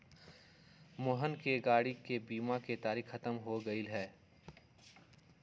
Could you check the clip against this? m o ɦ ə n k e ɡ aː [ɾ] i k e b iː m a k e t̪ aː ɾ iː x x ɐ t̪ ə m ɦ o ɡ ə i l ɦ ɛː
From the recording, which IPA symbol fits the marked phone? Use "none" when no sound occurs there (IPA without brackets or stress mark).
ɽ